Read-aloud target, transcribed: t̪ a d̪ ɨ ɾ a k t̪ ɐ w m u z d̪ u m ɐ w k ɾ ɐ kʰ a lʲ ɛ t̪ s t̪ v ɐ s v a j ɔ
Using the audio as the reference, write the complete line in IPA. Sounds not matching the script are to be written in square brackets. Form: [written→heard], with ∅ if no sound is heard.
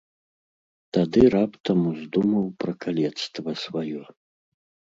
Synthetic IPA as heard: t̪ a d̪ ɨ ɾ a [k→p] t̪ ɐ [w→∅] m u z d̪ u m ɐ w [k→p] ɾ ɐ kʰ a lʲ ɛ t̪ s t̪ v ɐ s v a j ɔ